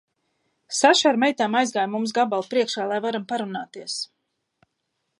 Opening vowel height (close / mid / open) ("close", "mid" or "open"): open